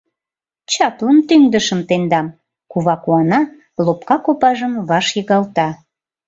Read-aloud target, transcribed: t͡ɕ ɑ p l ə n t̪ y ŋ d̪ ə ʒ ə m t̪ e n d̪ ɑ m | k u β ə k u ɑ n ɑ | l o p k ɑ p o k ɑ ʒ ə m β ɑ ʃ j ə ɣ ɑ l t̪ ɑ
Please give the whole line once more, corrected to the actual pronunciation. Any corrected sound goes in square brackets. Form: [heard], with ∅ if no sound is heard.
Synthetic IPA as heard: t͡ɕ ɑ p l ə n t̪ y ŋ d̪ ə [ʃ] ə m t̪ e n d̪ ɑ m | k u β [ɑ] k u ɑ n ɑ | l o p k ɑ [k] o [p] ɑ ʒ ə m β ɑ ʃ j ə ɣ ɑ l t̪ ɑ